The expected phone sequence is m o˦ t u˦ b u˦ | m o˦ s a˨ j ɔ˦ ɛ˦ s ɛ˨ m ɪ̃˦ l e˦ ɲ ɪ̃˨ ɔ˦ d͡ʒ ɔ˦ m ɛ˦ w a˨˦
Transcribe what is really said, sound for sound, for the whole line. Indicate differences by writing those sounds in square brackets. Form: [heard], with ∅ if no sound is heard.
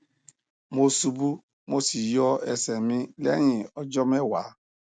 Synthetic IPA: m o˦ [s] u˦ b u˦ | m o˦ s [i˨] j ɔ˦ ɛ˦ s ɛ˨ m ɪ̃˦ l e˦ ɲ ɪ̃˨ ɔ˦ d͡ʒ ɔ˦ m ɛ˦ w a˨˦